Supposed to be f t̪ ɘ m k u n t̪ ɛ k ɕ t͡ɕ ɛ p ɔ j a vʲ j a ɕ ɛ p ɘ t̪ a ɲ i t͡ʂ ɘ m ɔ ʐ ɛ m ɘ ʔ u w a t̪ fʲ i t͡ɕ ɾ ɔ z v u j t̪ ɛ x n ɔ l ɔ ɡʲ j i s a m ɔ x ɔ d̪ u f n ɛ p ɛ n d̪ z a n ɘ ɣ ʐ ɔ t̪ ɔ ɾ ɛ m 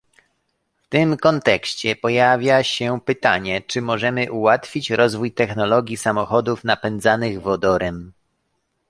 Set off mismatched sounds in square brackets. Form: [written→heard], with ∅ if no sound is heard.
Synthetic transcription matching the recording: f t̪ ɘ m k [u→ɔ] n t̪ ɛ k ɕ t͡ɕ ɛ p ɔ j a vʲ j a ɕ ɛ p ɘ t̪ a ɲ [i→ɛ] t͡ʂ ɘ m ɔ ʐ ɛ m ɘ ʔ u w a t̪ fʲ i t͡ɕ ɾ ɔ z v u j t̪ ɛ x n ɔ l ɔ ɡʲ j i s a m ɔ x ɔ d̪ u f n [ɛ→a] p ɛ n d̪ z a n ɘ ɣ [ʐ→v] ɔ [t̪→d̪] ɔ ɾ ɛ m